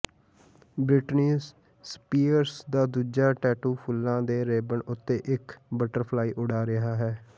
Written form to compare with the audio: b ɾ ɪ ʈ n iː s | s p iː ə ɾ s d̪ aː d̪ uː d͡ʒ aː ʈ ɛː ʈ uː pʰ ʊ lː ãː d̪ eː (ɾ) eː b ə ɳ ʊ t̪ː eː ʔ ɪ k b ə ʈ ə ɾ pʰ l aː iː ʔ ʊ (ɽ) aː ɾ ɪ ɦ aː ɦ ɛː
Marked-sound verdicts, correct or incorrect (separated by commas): correct, correct